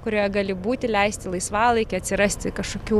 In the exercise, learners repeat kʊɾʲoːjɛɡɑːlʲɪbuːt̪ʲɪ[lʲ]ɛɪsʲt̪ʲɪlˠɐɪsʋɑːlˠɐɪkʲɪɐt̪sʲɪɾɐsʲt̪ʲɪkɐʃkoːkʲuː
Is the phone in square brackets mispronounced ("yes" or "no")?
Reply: no